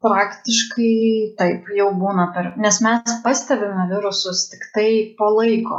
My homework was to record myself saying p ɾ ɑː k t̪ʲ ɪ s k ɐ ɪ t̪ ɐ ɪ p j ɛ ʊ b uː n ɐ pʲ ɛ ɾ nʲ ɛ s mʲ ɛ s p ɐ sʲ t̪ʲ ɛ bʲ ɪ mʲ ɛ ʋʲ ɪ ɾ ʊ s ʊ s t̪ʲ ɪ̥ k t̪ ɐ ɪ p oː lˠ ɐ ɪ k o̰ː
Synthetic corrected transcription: p ɾ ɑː k t̪ʲ ɪ ʃ k ɐ ɪ t̪ ɐ ɪ p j ɛ ʊ b uː n ɐ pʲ ɛ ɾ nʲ ɛ s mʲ ɛ s p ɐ sʲ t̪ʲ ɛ bʲ ɪ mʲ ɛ ʋʲ ɪ ɾ ʊ s ʊ s t̪ʲ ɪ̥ k t̪ ɐ ɪ p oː lˠ ɐ ɪ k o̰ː